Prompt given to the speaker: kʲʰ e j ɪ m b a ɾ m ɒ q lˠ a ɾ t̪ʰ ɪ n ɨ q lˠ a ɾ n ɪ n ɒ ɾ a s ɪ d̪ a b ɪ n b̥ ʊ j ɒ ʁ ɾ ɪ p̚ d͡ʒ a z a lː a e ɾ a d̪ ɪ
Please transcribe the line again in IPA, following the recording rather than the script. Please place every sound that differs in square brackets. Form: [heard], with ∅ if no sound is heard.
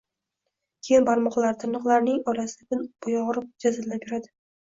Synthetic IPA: kʲʰ e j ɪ [n] b a ɾ m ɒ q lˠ a ɾ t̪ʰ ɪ n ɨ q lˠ a ɾ n ɪ [ŋ] ɒ ɾ a s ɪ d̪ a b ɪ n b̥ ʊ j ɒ ʁ ɾ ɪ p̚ d͡ʒ a z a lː a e ɾ a d̪ ɪ